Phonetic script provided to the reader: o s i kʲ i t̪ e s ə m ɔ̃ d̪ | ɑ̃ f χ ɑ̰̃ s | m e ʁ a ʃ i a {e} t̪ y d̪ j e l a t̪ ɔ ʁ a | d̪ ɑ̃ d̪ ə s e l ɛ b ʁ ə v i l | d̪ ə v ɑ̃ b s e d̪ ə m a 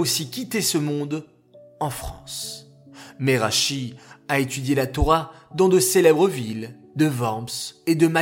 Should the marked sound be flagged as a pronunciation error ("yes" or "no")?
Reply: no